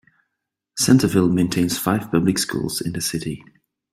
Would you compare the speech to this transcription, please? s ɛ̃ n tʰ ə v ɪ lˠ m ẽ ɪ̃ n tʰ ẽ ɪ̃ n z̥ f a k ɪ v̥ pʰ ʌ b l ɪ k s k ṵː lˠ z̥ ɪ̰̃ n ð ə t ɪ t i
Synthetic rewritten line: s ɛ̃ n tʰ ə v ɪ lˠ m ẽ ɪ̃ n tʰ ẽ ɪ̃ n z̥ f a ɪ v̥ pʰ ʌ b l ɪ k s k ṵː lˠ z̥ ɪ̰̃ n ð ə s ɪ t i